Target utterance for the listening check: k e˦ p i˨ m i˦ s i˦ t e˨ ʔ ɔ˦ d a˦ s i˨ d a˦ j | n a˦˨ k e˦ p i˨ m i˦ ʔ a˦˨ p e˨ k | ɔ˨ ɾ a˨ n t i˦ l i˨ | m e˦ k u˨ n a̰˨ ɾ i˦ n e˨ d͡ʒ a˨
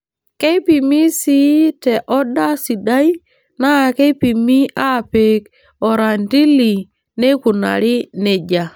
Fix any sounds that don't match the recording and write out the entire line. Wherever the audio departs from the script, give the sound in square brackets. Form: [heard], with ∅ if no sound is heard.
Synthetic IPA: k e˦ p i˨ m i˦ s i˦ t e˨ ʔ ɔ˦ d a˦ s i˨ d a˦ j | n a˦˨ k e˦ p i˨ m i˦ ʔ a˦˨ p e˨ k | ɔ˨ ɾ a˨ n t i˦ l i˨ | [n] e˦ k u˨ n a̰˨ ɾ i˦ n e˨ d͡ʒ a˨

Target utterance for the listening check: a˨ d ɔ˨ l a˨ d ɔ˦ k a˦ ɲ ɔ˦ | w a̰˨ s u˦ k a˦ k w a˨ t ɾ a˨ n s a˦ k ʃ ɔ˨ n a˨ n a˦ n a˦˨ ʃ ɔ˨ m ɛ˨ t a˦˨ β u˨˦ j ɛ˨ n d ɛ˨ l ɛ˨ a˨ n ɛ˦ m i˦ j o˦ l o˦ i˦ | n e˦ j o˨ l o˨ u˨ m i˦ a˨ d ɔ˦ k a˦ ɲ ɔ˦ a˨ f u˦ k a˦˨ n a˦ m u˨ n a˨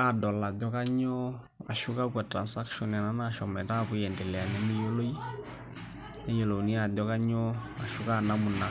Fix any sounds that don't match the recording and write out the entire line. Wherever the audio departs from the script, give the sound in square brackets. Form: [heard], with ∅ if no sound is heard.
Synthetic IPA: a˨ d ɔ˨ l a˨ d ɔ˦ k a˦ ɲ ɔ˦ | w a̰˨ [ʃ] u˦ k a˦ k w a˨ t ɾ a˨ n s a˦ k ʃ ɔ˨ n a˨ n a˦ n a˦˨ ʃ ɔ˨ m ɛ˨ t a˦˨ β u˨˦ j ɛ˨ n d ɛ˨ l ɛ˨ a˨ n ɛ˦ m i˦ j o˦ l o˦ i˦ | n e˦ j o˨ l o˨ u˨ [n] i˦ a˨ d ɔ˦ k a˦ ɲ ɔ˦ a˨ [ʃ] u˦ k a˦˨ n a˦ m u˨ n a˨

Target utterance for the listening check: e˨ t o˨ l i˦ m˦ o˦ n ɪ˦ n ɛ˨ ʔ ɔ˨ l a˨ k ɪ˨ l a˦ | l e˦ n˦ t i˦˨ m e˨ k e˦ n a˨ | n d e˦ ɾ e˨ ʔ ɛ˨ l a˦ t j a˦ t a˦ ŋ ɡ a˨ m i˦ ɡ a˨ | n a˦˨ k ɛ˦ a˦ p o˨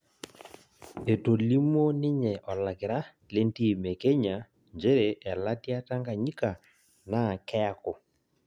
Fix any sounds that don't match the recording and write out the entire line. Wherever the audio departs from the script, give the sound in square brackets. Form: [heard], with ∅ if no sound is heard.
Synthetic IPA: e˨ t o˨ l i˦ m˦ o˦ n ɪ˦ [ɲ] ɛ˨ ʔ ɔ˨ l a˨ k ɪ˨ [ɾ] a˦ | l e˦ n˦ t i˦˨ m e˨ k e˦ [ɲ] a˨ | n [d͡ʒ] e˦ ɾ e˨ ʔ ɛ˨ l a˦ t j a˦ t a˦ ŋ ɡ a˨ [ɲ] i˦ [k] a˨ | n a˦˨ k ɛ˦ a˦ [k] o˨

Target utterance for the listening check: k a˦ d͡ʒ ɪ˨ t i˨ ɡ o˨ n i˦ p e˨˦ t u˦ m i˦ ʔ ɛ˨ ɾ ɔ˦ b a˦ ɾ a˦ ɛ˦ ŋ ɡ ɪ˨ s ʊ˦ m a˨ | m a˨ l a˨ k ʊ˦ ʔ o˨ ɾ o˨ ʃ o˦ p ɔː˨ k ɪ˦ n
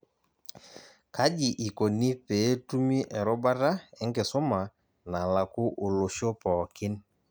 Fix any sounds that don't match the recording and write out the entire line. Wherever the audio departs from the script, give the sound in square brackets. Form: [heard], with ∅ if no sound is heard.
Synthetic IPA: k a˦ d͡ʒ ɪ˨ [ʔ] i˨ [k] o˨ n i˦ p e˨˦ t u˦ m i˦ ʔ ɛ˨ ɾ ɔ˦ b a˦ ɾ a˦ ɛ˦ ŋ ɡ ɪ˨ s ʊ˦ m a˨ | [n] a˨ l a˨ k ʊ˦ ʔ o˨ [l] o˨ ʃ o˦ p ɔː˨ k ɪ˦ n

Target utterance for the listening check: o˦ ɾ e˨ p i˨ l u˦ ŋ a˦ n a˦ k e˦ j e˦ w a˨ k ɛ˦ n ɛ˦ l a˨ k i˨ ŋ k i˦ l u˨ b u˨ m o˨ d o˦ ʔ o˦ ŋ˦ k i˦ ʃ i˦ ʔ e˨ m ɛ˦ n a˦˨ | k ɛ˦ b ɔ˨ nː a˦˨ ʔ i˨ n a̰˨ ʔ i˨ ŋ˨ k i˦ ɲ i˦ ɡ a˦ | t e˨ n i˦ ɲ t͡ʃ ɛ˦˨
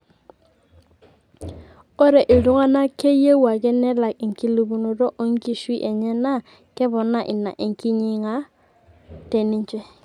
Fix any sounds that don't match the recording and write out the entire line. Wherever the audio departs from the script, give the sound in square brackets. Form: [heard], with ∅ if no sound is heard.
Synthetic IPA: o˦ ɾ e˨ [ʔ] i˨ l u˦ ŋ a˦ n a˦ k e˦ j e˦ w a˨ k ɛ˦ n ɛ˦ l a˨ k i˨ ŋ k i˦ l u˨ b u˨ [n] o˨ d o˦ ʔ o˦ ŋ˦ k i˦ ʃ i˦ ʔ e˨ [ɲ] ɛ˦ n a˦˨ | k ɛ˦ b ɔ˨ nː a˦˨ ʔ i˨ n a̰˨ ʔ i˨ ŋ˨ k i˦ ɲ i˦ [ŋ] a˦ | t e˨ n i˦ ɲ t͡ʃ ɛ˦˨

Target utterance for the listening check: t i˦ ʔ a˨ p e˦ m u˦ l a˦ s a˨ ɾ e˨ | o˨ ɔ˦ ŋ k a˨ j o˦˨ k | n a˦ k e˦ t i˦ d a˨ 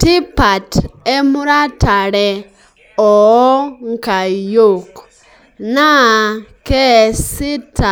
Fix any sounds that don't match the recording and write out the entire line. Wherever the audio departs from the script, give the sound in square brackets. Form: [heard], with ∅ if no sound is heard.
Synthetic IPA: t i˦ [p] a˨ [t] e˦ m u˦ [ɾ] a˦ [t] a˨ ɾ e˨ | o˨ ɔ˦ ŋ k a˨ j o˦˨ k | n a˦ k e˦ [s] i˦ [t] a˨

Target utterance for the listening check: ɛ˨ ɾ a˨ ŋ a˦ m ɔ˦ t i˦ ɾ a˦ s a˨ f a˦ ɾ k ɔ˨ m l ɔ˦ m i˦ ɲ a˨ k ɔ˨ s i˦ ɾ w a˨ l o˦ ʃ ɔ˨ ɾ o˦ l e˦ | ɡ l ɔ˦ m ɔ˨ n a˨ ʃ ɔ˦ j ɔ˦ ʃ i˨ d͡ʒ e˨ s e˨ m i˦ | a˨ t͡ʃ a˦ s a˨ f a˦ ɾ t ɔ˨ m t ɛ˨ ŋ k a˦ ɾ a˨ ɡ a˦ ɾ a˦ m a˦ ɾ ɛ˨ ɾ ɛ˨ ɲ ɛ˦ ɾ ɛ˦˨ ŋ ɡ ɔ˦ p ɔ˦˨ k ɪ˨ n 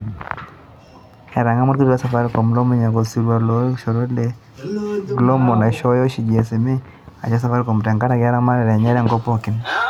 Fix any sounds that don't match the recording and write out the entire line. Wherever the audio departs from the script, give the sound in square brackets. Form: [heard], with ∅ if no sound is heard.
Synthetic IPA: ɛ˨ ɾ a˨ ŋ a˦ m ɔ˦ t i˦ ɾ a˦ s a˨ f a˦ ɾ k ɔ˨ m l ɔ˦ m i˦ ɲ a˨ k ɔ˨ s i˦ ɾ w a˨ l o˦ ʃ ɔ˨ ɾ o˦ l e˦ | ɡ l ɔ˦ m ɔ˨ n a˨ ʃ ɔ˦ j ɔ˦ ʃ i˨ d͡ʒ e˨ s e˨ m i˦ | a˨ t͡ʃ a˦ s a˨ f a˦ ɾ [k] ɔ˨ m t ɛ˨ ŋ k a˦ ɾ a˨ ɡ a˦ ɾ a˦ m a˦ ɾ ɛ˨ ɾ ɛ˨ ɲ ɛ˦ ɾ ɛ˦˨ ŋ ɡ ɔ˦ p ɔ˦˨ k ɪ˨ n

